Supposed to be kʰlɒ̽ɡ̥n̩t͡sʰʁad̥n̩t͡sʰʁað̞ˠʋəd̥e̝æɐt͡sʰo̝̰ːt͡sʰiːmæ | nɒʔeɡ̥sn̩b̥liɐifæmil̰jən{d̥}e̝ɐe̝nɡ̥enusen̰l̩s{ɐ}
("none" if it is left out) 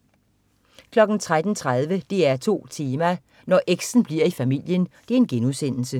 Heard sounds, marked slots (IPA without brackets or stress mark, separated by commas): d̥, ə